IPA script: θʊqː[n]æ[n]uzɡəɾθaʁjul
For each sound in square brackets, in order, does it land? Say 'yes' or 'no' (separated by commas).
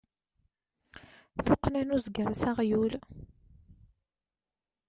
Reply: yes, yes